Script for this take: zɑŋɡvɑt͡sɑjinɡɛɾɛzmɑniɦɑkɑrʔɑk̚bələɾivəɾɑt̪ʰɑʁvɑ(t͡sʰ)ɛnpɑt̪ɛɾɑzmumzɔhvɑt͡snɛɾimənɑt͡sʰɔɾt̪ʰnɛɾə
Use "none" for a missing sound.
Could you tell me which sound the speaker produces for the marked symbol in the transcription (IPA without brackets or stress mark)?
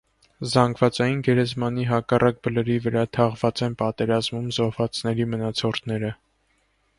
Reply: t͡s